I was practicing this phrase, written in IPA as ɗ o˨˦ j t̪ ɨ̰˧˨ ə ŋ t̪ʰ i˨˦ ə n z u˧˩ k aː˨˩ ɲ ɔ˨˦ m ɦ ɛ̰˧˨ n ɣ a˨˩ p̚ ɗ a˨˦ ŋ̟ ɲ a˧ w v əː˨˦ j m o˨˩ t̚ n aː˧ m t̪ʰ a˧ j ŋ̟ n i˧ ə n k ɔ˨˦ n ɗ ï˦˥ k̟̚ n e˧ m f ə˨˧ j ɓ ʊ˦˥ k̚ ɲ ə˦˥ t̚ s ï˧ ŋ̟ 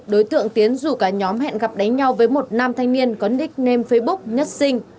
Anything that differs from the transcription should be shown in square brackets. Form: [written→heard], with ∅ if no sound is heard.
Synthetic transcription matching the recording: ɗ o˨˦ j t̪ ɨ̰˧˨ ə ŋ [t̪ʰ→t̪] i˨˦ ə n z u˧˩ k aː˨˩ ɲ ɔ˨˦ m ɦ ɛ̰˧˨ n ɣ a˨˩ p̚ ɗ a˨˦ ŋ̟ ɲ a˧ w v əː˨˦ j m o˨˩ t̚ n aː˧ m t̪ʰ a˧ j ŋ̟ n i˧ ə n k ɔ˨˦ n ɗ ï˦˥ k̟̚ n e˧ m f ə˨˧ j ɓ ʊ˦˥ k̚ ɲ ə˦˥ t̚ s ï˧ ŋ̟